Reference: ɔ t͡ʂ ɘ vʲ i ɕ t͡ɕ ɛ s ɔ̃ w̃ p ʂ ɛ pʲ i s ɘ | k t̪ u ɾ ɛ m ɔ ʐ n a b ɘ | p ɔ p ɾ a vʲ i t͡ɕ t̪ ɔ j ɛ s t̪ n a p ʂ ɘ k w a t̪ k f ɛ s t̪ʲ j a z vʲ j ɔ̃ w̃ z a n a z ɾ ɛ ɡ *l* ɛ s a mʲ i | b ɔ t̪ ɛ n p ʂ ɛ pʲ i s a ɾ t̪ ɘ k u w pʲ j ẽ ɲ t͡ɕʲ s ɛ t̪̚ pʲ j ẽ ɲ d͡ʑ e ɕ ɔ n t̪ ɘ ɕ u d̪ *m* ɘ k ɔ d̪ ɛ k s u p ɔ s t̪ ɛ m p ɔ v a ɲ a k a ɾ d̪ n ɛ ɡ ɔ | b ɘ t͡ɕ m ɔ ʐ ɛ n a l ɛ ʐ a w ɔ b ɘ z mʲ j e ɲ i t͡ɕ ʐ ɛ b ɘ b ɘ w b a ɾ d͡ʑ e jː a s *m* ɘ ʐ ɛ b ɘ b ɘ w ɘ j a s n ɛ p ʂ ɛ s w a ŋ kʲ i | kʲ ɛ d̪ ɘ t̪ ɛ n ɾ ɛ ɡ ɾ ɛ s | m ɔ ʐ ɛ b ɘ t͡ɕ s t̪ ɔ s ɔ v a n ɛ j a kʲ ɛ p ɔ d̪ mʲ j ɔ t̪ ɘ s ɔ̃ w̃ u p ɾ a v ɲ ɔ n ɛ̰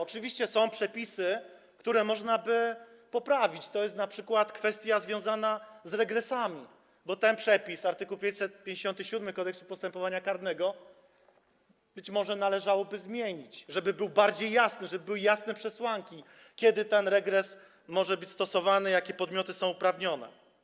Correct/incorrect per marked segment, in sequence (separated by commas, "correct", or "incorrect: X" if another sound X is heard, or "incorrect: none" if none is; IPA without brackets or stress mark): incorrect: ɾ, correct, incorrect: n